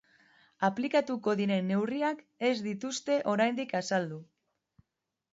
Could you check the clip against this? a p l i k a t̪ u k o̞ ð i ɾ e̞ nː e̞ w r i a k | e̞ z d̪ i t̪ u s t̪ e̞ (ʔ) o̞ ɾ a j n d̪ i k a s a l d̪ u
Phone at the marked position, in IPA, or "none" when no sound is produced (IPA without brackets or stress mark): ʔ